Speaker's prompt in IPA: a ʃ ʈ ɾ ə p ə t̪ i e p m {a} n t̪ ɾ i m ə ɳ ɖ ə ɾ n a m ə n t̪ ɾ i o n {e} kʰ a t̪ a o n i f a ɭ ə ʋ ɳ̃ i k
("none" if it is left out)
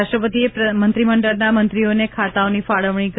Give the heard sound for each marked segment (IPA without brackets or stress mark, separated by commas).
ə, e